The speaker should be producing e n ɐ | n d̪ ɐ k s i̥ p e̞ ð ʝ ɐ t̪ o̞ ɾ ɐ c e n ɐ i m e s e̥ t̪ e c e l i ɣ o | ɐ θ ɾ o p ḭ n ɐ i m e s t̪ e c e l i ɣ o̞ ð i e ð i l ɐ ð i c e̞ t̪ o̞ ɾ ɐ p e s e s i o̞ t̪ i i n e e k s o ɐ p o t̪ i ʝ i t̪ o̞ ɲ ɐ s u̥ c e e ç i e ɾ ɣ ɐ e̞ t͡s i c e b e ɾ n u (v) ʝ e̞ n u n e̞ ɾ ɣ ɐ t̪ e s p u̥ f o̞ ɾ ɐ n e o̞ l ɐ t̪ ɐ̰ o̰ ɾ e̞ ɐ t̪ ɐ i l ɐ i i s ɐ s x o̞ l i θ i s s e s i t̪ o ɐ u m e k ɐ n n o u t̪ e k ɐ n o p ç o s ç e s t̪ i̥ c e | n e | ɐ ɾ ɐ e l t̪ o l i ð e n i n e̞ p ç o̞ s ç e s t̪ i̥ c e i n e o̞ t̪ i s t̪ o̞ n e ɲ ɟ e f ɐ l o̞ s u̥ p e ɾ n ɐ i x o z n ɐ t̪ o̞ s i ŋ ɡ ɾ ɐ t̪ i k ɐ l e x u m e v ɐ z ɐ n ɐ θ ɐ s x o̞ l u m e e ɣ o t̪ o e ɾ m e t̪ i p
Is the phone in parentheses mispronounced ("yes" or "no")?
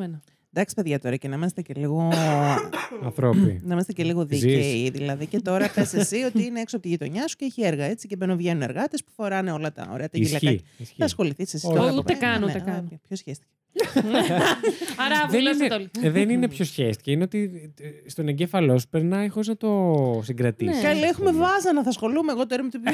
no